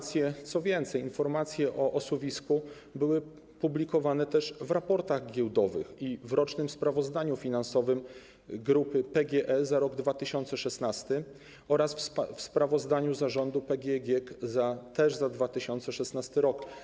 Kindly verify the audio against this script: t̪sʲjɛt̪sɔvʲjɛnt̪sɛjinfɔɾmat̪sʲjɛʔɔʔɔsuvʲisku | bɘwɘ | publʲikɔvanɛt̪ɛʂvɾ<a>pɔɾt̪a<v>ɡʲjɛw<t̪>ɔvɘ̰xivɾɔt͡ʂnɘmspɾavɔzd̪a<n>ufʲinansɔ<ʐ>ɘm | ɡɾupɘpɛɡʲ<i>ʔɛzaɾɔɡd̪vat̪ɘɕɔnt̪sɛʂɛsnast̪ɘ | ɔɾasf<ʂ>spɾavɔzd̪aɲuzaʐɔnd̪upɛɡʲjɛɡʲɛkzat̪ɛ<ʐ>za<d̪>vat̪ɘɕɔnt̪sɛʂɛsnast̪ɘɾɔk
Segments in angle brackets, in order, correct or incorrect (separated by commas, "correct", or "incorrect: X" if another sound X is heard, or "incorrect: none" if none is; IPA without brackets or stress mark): correct, incorrect: ɣ, incorrect: d̪, incorrect: ɲ, incorrect: v, incorrect: ɛ, incorrect: f, correct, correct